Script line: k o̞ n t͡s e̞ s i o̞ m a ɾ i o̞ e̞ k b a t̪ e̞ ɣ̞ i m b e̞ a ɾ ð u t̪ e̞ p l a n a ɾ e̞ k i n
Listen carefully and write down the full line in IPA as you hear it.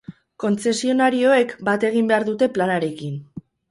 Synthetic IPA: k o̞ n t͡s e̞ s i o̞ n a ɾ i o̞ e̞ k b a t̪ e̞ ɣ̞ i m b e̞ a ɾ ð u t̪ e̞ p l a n a ɾ e̞ k i n